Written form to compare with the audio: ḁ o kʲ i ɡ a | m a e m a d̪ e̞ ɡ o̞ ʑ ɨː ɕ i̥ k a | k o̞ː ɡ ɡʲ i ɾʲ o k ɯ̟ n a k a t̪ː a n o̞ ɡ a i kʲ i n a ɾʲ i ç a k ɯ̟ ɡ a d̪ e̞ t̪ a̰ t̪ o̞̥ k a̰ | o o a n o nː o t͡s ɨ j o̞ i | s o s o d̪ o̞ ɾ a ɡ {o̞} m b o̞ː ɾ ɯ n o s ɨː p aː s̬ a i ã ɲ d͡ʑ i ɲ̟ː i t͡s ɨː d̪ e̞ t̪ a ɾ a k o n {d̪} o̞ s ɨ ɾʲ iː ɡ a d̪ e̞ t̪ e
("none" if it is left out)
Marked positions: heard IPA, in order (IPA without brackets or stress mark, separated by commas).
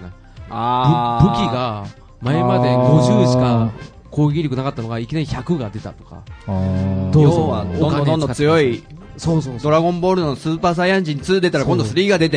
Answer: õ̞, d̪